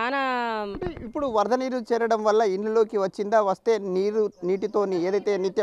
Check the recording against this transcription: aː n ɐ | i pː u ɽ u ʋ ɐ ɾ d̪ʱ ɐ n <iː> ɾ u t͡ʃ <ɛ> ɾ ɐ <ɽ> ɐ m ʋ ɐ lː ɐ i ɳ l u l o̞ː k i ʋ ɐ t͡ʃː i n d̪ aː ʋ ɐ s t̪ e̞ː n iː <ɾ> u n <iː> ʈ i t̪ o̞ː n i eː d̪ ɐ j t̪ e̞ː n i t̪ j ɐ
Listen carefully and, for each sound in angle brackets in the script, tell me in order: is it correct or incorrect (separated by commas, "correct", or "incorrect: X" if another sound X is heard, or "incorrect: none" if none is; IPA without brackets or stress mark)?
correct, incorrect: ɛː, correct, correct, correct